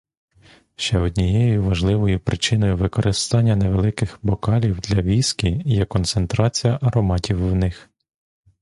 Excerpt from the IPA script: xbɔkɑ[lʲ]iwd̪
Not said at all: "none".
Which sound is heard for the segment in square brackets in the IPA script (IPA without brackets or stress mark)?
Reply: lʲ